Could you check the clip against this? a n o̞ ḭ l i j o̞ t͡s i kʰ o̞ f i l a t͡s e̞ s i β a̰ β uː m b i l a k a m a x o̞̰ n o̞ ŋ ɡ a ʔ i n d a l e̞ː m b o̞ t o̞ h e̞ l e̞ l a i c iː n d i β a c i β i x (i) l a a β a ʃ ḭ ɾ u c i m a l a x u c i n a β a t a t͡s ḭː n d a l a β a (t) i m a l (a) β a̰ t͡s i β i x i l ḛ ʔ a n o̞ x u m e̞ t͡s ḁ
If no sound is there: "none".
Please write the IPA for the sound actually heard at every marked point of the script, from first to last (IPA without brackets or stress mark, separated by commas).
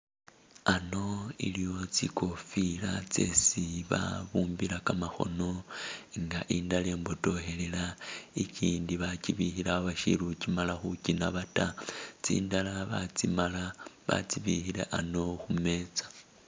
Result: i, t͡s, a